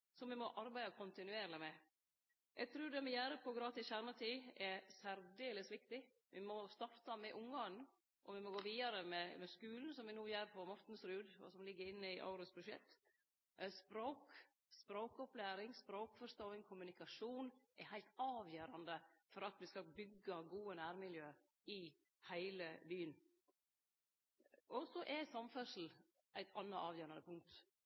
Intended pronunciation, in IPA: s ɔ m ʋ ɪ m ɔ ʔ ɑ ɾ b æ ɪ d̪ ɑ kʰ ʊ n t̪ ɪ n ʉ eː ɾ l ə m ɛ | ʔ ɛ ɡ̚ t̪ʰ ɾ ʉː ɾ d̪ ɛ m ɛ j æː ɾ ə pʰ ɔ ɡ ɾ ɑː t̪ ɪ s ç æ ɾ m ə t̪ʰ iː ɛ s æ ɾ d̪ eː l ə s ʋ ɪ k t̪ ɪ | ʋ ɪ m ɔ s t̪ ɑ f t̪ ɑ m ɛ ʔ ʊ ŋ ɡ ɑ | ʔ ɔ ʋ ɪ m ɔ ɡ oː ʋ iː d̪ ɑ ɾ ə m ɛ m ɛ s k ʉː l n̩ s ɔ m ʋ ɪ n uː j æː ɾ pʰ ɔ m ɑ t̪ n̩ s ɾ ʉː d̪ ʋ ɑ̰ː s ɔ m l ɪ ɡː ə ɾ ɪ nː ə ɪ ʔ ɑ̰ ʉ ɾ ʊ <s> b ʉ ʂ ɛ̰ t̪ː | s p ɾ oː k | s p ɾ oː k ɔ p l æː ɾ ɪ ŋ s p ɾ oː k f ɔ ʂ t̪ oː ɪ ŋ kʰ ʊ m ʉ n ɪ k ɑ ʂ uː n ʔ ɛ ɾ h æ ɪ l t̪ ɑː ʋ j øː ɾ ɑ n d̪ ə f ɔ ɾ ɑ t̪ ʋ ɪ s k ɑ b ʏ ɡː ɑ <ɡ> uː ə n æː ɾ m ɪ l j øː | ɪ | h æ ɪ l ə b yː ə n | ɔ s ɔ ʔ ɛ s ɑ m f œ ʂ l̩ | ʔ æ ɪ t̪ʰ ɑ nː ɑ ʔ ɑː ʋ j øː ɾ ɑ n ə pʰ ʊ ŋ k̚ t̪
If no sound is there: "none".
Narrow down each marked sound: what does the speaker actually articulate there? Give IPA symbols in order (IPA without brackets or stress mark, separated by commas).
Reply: s, ɡ